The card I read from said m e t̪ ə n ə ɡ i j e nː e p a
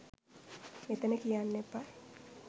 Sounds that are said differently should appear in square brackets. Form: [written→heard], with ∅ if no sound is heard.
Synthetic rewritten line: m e t̪ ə n ə [ɡ→k] i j [e→a] nː e p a